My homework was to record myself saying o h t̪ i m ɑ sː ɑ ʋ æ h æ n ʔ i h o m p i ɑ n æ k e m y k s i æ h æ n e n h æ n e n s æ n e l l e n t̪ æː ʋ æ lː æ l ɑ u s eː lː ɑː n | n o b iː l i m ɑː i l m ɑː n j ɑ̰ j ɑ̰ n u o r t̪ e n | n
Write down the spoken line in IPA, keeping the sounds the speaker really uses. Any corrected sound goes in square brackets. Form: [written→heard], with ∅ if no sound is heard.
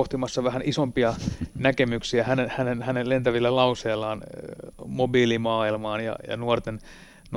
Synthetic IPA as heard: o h t̪ i m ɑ sː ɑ ʋ æ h æ n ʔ i [h→s] o m p i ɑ n æ k e m y k s i æ h æ n e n h æ n e n [s→h] æ n e l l e n t̪ [æː→æ] ʋ [æ→i] lː æ l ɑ u s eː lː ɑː n | [n→m] o b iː l i m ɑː i l m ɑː n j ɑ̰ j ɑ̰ n u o r t̪ e n | n